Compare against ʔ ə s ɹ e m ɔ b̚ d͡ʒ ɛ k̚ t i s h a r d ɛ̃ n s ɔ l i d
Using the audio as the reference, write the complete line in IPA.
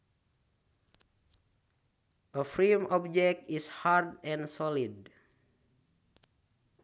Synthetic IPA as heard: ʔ ə f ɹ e m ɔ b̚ d͡ʒ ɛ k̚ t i s h a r d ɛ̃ n s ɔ l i d